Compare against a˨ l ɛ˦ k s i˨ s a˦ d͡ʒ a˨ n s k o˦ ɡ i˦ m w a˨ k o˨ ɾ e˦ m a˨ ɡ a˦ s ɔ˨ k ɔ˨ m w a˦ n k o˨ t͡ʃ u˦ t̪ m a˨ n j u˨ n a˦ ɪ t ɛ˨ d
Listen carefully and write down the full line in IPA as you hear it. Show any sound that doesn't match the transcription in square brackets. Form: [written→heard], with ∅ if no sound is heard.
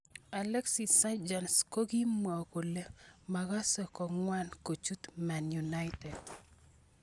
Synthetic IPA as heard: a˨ l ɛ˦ k s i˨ s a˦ d͡ʒ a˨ n s k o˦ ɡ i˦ m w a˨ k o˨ [ɾ→l] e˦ m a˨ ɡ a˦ s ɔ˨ k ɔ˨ [m→ŋ] w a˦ n k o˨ t͡ʃ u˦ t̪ m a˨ n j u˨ n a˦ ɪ t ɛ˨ d